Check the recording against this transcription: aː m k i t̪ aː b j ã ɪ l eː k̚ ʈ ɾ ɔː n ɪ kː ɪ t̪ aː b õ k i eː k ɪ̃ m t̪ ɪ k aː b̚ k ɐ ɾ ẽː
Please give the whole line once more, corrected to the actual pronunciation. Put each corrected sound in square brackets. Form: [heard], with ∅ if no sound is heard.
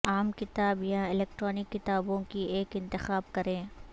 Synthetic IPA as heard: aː m k [ɪ] t̪ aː b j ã ɪ l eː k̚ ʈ ɾ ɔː n ɪ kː ɪ t̪ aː b õ k i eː k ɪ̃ [n] t̪ ɪ [x] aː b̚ k ɐ ɾ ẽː